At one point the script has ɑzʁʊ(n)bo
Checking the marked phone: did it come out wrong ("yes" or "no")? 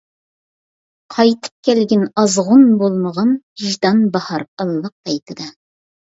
no